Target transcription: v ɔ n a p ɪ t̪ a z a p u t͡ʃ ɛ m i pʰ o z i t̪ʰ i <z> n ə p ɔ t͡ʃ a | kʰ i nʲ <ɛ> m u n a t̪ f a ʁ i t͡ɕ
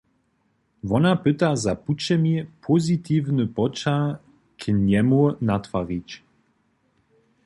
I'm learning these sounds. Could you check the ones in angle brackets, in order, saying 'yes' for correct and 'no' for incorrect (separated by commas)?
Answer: no, yes